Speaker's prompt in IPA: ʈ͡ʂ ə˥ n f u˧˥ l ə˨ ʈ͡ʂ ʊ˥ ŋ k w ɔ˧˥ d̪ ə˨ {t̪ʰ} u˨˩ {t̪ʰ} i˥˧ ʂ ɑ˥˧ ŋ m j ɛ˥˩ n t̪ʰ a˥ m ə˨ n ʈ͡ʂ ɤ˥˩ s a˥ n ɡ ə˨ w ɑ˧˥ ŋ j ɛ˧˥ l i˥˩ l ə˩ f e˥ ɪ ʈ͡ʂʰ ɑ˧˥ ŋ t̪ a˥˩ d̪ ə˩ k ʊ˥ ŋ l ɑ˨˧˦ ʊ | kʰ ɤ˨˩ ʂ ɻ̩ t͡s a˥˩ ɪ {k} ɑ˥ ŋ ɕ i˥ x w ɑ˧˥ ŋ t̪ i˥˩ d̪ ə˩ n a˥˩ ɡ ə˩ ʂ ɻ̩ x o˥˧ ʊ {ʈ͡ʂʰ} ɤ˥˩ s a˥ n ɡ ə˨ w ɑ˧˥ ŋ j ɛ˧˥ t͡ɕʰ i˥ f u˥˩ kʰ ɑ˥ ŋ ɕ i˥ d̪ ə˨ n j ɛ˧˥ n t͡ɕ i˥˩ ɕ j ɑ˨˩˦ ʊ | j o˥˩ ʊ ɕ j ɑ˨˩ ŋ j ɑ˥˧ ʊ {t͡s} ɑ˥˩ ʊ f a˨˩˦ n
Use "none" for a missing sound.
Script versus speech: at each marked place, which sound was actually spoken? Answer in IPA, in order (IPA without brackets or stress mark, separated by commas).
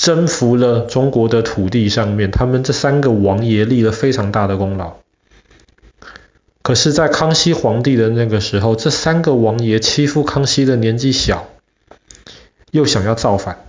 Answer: t̪ʰ, t̪, kʰ, ʈ͡ʂ, t͡s